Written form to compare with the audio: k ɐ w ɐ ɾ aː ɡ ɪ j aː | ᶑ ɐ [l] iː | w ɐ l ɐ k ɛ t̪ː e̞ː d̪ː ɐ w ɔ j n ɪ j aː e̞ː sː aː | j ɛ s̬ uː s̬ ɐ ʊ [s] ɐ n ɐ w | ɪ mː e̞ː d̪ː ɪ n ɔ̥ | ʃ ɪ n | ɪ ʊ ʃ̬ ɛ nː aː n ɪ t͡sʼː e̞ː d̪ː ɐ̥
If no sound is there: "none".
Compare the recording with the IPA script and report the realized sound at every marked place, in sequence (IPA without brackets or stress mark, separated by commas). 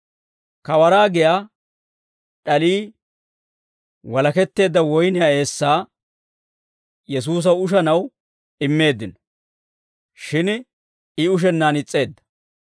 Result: l, ʃ